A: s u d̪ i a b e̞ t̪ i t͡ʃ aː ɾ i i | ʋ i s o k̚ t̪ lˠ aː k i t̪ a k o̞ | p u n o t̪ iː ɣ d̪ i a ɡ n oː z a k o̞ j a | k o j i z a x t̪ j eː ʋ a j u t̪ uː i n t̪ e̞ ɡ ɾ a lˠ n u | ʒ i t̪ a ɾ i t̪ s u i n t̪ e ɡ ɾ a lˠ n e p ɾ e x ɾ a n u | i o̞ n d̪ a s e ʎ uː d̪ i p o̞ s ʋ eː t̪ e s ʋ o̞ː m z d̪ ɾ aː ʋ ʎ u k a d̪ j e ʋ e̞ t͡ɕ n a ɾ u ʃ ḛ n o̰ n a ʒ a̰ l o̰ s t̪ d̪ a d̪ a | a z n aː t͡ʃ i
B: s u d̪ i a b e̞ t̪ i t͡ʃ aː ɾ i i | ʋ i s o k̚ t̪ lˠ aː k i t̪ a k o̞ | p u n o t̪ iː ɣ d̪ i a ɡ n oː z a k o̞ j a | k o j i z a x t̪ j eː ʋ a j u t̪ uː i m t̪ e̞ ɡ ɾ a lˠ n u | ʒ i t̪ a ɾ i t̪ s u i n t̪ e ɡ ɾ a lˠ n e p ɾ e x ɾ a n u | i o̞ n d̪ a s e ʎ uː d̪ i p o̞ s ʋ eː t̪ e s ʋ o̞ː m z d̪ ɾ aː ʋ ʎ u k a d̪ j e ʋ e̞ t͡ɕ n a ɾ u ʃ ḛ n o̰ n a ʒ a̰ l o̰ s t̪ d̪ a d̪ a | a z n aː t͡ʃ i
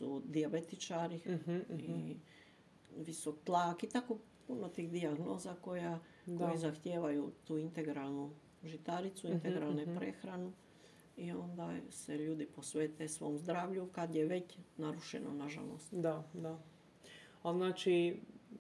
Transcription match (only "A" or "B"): A